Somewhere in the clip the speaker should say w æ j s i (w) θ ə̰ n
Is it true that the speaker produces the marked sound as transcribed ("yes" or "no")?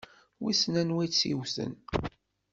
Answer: yes